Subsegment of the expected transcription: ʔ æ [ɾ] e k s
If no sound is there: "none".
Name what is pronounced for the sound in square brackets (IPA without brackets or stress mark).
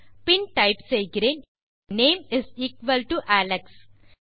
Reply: l